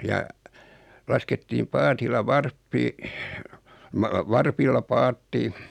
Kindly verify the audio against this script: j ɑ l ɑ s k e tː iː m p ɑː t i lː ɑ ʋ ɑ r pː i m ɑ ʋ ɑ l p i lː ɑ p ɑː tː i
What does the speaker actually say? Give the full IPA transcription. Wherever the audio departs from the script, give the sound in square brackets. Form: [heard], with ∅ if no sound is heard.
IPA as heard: j ɑ l ɑ s k e tː iː m p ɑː t i lː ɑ ʋ ɑ r pː i m ɑ ʋ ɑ [r] p i lː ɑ p ɑː tː i